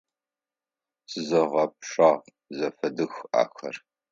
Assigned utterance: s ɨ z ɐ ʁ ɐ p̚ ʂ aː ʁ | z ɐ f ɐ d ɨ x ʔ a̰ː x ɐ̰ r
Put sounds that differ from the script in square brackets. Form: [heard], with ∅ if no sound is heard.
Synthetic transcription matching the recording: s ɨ z ɐ ʁ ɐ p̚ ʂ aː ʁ | z ɐ f ɐ d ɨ x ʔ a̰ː x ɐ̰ r